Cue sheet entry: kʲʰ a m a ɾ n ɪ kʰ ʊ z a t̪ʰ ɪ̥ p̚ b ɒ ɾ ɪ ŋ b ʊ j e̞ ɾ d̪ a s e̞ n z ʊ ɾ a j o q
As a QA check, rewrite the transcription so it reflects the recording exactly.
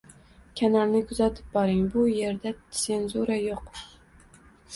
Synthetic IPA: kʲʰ a n a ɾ n ɪ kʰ ʊ z a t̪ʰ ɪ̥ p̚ b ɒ ɾ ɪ ŋ b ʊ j e̞ ɾ d̪ a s e̞ n z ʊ ɾ a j o q